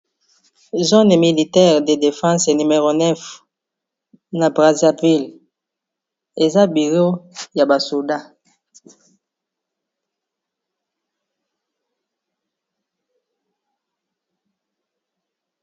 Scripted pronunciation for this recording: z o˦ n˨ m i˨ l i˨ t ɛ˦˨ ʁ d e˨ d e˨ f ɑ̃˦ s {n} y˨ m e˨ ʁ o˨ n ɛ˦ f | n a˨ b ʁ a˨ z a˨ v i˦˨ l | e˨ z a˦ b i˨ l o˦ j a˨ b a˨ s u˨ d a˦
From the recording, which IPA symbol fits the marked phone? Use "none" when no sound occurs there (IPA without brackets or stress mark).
n